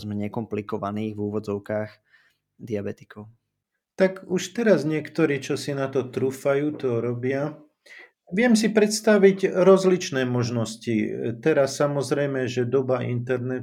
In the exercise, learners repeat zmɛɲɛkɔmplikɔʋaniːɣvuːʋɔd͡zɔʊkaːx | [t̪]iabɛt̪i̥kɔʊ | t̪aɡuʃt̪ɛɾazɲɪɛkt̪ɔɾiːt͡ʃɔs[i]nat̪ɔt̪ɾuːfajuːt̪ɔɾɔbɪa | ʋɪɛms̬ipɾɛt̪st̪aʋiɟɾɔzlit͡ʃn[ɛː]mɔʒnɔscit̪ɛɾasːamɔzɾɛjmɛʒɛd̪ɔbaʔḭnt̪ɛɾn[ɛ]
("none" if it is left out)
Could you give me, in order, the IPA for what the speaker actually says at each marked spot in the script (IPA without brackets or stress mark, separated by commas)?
d̪, i, ɛː, ɛ